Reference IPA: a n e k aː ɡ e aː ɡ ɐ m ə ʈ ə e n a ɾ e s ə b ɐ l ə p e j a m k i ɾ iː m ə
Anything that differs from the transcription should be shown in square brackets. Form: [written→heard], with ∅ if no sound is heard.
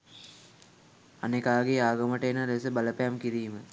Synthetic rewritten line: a n e k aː ɡ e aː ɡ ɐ m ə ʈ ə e n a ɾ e s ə b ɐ l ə p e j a m k i ɾ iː m ə